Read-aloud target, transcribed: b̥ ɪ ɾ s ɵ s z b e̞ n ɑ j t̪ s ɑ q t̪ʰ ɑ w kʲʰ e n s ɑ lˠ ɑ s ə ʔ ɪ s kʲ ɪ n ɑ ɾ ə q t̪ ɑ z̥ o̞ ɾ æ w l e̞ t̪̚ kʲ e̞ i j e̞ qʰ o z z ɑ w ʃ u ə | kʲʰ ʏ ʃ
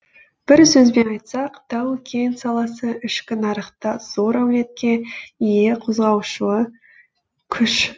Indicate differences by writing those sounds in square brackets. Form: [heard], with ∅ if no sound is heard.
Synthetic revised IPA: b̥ ɪ ɾ s ɵ [∅] z b e̞ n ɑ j t̪ s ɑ q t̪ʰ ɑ w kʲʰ e n s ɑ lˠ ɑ s ə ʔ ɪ [ʃ] kʲ ɪ n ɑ ɾ ə q t̪ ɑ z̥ o̞ ɾ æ w l e̞ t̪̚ kʲ e̞ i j e̞ qʰ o z [ʁ] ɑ w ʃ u ə | kʲʰ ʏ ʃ